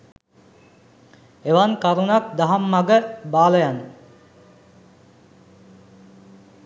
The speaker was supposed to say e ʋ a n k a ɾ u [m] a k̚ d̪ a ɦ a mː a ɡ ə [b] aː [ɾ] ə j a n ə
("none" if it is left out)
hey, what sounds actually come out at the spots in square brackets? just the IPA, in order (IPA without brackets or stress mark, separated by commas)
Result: n, b, l